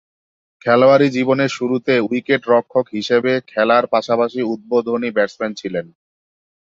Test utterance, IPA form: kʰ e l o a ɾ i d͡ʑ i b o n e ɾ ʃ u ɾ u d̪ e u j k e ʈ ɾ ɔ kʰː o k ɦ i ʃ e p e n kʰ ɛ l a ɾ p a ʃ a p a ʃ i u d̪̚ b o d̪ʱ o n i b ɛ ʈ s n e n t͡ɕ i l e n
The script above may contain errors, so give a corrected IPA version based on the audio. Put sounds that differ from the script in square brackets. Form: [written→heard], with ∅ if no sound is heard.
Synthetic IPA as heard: kʰ [e→ɛ] l o a ɾ i d͡ʑ i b o n e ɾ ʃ u ɾ u [d̪→t̪] e u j k e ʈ ɾ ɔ kʰː o k ɦ i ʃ e [p→b] e [n→∅] kʰ ɛ l a ɾ p a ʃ a p a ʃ i u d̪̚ b o d̪ʱ o n i b ɛ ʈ s [n→m] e n [t͡ɕ→t͡ɕʰ] i l e n